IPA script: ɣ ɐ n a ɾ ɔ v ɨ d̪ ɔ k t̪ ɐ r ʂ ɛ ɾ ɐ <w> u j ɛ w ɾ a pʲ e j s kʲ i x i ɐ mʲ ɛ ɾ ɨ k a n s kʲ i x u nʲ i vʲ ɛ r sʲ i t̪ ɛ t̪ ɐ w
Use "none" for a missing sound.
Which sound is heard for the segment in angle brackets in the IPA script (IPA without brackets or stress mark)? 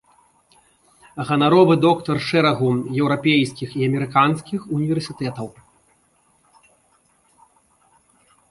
ɣ